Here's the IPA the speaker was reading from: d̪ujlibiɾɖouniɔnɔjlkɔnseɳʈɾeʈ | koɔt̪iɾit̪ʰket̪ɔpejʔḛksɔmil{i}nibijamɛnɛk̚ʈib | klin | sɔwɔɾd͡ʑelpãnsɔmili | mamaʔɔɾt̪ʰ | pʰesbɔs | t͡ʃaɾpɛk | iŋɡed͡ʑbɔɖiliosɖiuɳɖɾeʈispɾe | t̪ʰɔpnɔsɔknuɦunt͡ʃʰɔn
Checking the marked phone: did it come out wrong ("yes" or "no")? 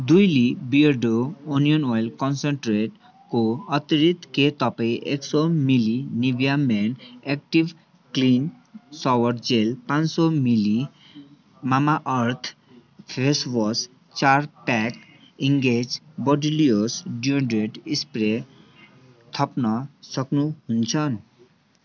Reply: no